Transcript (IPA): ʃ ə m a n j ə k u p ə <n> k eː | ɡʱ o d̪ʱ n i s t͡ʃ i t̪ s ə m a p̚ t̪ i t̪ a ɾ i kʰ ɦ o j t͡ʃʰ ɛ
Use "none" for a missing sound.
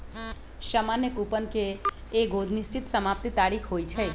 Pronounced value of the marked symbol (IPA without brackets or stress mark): n